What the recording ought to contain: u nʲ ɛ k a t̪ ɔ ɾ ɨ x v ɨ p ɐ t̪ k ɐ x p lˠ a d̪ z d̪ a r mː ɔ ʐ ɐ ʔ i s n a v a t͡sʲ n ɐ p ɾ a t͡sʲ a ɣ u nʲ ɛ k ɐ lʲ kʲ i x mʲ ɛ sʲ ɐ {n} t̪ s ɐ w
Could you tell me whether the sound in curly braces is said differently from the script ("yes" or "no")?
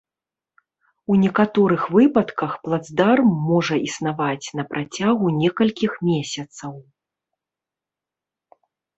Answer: yes